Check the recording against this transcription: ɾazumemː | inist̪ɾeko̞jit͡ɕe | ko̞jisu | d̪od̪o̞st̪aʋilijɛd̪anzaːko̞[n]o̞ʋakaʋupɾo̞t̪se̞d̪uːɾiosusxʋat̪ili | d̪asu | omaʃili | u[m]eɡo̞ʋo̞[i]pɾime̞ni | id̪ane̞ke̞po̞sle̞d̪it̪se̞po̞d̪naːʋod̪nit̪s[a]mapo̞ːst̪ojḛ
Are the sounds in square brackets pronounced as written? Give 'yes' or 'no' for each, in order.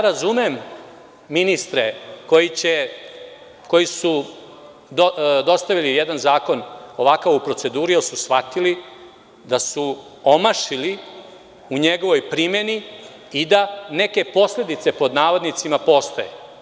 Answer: yes, no, no, no

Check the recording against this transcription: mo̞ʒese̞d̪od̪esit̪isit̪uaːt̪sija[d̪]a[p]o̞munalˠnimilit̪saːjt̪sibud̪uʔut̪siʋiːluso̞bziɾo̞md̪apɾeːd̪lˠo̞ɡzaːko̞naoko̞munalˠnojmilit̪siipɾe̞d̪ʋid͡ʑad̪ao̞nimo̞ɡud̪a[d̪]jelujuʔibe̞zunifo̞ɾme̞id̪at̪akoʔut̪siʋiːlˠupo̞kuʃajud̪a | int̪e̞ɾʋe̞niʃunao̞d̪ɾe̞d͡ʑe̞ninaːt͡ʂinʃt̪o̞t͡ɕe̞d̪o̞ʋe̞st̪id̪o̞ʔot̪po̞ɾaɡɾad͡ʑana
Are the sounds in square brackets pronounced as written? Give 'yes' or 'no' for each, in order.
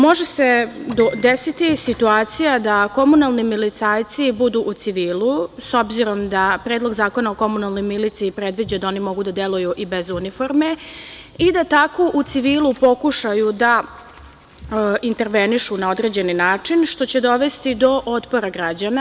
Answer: yes, no, yes

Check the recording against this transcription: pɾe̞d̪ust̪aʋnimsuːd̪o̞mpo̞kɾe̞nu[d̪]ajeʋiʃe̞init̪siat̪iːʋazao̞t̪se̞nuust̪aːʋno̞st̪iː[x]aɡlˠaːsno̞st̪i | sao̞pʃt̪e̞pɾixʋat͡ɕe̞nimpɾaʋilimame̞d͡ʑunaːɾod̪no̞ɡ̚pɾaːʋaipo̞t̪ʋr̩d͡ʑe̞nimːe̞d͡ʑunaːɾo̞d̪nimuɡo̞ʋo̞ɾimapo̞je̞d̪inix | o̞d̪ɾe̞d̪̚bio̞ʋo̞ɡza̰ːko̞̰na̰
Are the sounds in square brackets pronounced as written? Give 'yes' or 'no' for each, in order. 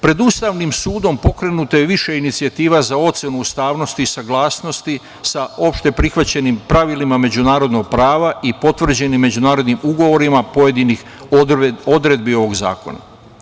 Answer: no, no

